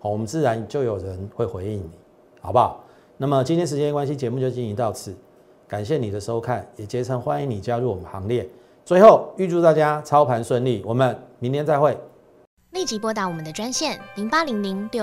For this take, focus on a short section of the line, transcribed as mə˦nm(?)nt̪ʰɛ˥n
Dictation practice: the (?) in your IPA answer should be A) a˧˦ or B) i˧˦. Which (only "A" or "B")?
B